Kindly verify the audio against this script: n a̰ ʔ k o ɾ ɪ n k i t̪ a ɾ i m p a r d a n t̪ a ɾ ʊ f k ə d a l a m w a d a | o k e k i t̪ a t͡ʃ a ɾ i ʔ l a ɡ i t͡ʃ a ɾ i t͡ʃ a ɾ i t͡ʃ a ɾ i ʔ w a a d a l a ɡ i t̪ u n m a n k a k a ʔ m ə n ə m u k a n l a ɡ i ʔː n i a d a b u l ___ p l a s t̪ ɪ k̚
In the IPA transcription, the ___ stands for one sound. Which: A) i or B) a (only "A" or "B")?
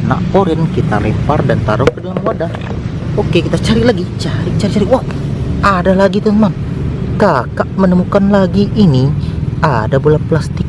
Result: B